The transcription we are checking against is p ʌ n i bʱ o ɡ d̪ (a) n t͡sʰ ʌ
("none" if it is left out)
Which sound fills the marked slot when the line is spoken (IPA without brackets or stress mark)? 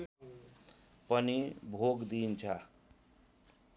i